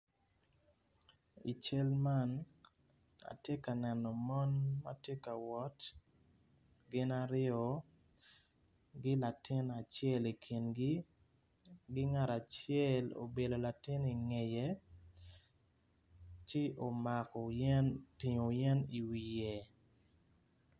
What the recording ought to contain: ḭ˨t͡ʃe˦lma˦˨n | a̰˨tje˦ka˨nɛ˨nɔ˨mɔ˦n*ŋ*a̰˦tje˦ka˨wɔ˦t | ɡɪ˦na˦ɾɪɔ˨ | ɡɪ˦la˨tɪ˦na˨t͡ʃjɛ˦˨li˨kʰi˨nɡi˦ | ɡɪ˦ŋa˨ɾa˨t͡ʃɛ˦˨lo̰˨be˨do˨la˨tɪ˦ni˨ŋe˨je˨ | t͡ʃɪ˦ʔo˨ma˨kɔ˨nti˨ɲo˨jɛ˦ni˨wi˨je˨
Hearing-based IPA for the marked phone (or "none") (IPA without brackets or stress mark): m